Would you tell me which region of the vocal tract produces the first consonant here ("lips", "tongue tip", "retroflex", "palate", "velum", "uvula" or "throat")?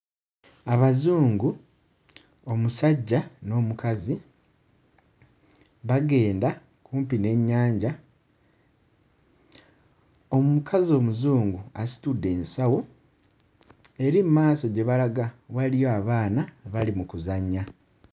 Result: lips